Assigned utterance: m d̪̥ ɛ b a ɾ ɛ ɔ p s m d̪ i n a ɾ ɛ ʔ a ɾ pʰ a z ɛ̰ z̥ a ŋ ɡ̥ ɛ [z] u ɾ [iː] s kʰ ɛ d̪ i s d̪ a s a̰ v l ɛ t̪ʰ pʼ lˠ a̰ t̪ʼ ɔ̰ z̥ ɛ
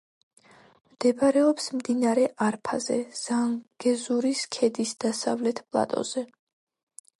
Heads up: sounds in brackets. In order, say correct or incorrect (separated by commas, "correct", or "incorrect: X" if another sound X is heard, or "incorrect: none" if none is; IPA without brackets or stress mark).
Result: correct, incorrect: i